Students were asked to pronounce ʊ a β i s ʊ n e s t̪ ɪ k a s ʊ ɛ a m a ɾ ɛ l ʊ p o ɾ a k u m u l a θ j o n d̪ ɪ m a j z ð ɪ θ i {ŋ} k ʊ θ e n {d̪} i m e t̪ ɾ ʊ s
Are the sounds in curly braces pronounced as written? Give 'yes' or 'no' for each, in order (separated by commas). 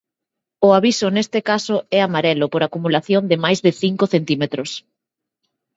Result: yes, no